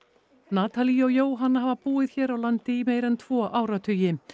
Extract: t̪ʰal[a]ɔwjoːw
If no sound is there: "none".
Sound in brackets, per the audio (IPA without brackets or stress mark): i